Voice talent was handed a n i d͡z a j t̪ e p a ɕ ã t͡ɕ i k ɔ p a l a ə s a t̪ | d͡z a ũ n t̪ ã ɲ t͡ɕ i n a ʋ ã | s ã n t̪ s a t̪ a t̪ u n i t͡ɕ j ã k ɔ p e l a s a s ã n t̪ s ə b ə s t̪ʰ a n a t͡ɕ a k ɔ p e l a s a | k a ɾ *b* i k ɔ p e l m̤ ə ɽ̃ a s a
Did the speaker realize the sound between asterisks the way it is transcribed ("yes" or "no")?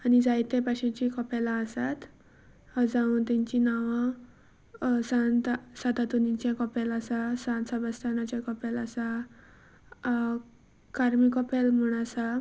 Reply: no